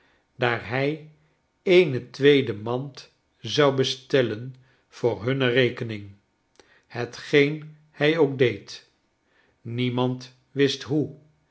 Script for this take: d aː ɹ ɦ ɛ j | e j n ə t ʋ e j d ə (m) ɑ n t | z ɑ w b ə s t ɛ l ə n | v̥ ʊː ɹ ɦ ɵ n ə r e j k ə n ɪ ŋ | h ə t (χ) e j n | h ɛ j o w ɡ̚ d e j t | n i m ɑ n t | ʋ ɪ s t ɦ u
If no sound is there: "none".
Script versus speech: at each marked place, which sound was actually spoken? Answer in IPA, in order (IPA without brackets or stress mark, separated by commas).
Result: m, χ